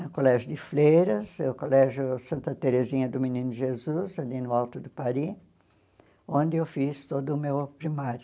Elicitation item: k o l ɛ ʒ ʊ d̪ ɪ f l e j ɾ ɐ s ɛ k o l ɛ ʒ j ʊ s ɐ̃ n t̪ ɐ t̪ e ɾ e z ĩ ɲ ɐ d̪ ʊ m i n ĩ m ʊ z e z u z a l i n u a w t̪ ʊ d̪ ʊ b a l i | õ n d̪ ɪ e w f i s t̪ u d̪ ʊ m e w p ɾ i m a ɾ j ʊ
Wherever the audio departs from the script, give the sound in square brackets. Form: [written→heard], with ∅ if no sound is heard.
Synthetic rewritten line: k o l ɛ ʒ ʊ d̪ ɪ f l e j ɾ ɐ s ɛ k o l ɛ ʒ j ʊ s ɐ̃ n t̪ ɐ t̪ e ɾ e z ĩ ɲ ɐ d̪ ʊ m i n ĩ [m→n] ʊ [z→ʒ] e z u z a l i n [u→ʊ] a w t̪ ʊ d̪ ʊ [b→p] a [l→ɾ] i | õ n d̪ ɪ e w f i s t̪ [u→o] d̪ ʊ m e w p ɾ i m a ɾ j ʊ